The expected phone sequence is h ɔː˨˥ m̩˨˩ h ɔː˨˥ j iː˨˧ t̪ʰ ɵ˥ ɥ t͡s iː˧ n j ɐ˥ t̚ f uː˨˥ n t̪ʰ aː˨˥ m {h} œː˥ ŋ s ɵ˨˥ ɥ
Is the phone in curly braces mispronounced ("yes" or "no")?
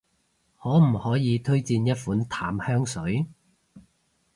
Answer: no